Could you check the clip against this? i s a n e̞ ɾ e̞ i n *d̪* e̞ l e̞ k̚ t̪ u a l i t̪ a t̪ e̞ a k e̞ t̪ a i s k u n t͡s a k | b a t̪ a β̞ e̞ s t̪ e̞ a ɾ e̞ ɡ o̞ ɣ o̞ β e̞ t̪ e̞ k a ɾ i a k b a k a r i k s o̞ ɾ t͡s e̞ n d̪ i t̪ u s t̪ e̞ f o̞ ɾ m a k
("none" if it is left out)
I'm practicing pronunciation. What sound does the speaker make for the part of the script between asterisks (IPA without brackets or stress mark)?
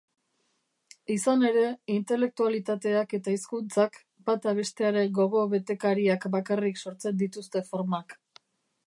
t̪